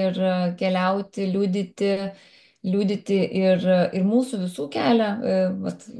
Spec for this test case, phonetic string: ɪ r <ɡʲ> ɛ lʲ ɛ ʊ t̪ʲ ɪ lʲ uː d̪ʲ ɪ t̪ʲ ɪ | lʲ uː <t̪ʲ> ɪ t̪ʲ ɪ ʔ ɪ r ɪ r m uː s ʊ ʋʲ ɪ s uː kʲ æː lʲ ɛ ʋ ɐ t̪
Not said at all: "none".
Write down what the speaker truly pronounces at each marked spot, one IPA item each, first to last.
kʲ, d̪ʲ

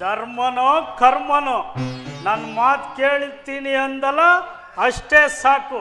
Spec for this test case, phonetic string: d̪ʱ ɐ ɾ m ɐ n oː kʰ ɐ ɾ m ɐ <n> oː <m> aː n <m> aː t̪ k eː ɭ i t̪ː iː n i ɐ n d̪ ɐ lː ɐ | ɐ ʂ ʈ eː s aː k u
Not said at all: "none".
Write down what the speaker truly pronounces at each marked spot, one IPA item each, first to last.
n, n, m

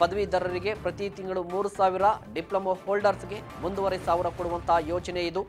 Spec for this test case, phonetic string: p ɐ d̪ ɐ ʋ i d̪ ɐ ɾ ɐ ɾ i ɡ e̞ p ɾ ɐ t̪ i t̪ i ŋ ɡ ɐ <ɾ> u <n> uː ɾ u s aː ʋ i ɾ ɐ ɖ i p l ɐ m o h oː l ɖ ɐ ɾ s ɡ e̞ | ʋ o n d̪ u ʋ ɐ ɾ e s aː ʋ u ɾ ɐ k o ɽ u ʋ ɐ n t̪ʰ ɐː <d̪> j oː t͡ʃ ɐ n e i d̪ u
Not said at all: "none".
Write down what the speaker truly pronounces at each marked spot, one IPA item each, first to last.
ɭ, m, none

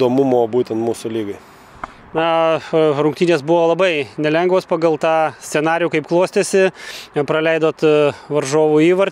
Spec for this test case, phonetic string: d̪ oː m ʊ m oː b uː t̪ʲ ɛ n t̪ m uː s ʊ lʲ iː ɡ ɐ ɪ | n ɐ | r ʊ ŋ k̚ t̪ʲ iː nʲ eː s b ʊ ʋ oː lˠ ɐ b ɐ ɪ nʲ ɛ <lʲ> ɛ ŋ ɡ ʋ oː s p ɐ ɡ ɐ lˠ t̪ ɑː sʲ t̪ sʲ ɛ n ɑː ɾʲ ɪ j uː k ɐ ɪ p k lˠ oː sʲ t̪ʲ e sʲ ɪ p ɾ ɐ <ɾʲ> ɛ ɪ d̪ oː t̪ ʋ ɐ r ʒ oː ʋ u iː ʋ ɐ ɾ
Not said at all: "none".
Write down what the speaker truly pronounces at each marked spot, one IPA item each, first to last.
lʲ, lʲ

